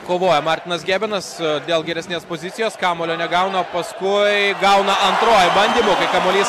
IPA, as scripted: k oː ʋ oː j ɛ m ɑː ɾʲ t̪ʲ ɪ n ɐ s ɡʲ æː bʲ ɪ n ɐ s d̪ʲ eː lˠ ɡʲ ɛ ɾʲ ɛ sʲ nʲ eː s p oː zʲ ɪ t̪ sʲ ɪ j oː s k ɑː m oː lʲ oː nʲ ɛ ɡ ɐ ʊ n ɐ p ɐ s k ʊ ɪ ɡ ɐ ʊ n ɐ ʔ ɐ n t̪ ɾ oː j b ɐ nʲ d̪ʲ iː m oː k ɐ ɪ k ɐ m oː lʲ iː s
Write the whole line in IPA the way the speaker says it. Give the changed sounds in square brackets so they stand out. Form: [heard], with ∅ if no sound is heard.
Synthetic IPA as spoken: k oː ʋ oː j ɛ m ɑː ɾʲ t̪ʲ ɪ n ɐ s ɡʲ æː bʲ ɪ n ɐ s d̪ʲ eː lˠ ɡʲ ɛ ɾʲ ɛ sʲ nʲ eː s p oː zʲ ɪ t̪ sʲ ɪ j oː s k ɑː m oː lʲ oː nʲ ɛ ɡ ɐ ʊ n ɐ p ɐ s k ʊ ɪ ɡ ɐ ʊ n ɐ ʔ ɐ n t̪ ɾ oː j b ɐ nʲ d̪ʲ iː m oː k ɐ ɪ k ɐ m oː lʲ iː s